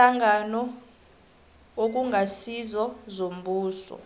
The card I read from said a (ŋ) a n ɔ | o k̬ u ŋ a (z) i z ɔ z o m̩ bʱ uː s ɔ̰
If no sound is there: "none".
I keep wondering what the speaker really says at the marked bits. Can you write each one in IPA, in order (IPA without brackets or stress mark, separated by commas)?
ŋ, s